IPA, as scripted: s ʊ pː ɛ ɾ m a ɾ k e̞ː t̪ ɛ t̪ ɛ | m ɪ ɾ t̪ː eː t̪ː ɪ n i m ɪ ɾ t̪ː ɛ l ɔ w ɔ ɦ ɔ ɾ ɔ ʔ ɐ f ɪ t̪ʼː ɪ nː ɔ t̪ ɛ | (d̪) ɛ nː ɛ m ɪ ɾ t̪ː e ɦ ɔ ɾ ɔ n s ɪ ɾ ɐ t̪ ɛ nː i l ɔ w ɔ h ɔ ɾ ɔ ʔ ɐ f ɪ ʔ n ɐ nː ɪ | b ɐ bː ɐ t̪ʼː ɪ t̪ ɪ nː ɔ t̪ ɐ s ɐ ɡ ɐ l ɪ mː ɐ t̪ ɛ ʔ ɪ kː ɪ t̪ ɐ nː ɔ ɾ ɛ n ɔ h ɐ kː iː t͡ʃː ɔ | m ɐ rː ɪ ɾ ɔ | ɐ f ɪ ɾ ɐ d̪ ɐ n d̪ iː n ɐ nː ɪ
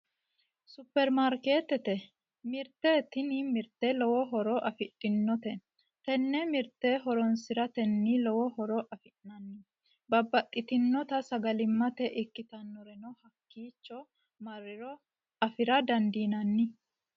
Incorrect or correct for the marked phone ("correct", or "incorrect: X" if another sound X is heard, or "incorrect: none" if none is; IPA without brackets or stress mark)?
incorrect: t̪